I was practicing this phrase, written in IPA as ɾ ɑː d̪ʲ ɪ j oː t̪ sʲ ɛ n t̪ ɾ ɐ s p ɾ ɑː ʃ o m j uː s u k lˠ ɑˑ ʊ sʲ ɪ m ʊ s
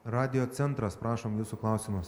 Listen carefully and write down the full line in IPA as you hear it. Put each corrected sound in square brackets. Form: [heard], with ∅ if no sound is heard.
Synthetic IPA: ɾ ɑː d̪ʲ ɪ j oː t̪ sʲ ɛ n t̪ ɾ ɐ s p ɾ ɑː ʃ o m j uː s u k lˠ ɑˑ ʊ sʲ ɪ m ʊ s